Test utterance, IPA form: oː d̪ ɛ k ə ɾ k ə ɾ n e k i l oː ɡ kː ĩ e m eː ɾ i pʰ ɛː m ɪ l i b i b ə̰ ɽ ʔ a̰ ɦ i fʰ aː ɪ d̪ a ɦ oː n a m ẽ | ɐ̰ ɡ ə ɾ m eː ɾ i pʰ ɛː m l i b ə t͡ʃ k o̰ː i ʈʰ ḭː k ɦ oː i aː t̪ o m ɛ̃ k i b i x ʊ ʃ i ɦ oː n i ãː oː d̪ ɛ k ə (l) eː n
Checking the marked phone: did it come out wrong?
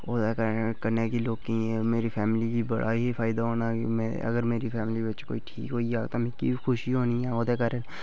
yes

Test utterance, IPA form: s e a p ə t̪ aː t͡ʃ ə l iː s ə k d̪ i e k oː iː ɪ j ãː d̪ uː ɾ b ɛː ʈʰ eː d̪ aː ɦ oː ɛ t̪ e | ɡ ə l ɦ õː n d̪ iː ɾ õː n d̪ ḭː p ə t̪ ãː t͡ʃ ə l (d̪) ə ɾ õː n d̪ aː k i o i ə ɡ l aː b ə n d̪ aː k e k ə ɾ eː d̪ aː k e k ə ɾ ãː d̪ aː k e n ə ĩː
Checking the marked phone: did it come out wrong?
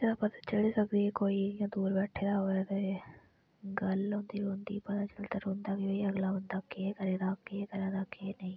yes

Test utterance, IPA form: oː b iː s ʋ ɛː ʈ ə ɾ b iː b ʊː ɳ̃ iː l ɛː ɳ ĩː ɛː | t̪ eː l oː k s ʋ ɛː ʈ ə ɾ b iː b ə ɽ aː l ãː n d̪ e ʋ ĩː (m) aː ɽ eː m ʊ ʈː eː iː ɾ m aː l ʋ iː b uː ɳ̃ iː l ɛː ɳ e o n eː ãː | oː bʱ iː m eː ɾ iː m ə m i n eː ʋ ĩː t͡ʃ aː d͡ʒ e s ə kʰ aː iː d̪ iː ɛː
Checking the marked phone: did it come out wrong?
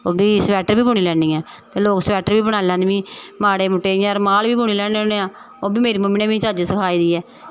no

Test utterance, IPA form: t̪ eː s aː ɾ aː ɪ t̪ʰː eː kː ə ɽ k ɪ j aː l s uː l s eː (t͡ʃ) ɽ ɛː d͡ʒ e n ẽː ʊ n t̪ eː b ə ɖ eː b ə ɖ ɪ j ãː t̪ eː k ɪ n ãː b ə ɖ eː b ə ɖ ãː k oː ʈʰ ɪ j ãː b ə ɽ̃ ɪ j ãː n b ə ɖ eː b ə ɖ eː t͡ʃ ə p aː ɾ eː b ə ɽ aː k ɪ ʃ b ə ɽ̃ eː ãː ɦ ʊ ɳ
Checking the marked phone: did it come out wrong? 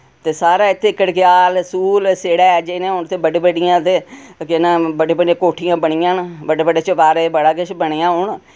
yes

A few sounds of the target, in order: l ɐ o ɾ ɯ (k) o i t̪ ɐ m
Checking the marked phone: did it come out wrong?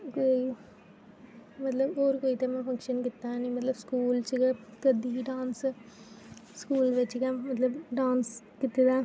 no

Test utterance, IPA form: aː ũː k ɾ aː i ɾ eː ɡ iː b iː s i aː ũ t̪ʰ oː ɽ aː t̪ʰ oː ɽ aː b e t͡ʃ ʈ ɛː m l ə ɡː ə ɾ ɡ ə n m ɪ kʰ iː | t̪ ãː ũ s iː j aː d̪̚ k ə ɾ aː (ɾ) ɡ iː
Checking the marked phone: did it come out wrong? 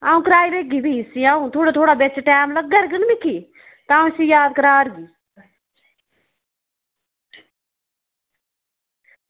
no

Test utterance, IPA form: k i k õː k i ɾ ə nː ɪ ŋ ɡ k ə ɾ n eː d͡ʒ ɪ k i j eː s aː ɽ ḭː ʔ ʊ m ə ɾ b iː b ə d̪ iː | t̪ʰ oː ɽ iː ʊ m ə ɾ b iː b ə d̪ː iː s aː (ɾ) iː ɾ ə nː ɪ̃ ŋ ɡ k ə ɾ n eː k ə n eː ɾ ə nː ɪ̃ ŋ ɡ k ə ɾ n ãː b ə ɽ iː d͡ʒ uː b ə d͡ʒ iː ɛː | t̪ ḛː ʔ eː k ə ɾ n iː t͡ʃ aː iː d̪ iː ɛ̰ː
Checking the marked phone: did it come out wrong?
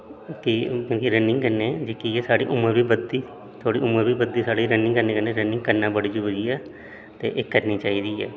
yes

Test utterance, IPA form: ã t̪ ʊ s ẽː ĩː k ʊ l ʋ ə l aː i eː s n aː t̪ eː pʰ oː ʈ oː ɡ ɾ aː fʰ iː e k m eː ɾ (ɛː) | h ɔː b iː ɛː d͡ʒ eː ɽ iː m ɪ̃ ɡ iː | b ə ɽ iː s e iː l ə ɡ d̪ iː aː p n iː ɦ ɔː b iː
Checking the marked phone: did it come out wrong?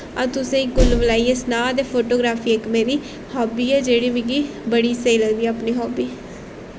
yes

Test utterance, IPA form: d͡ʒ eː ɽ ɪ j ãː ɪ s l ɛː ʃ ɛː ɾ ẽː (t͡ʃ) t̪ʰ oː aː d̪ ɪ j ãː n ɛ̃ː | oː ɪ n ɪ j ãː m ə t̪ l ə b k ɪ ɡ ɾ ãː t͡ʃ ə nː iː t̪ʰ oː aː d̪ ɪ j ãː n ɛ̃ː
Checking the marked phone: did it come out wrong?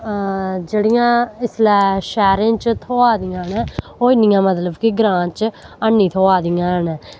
no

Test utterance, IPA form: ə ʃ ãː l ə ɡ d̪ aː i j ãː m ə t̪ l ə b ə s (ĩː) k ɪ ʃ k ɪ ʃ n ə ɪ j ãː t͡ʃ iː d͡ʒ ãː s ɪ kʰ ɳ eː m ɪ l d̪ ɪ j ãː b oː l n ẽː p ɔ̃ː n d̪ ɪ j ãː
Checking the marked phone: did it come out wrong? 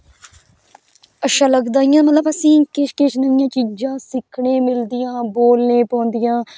no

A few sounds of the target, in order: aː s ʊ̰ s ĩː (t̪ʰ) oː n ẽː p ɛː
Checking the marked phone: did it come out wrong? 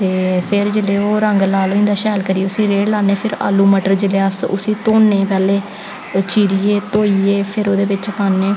yes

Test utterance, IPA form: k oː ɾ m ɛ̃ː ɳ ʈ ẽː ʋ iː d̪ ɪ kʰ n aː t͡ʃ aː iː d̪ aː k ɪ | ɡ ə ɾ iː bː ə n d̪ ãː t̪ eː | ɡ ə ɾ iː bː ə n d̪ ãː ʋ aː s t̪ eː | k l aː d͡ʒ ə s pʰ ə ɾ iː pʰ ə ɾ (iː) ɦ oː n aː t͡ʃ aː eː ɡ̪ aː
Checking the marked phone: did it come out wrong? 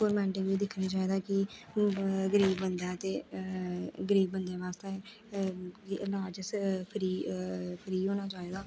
no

